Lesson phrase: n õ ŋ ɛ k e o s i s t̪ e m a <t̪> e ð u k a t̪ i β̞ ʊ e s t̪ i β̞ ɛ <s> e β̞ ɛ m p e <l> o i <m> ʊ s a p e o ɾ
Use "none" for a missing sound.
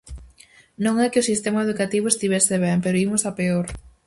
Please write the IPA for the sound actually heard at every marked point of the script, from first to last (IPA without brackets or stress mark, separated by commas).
none, s, ɾ, m